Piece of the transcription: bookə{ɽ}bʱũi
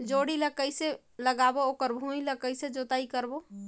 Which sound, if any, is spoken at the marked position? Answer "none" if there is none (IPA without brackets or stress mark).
ɾ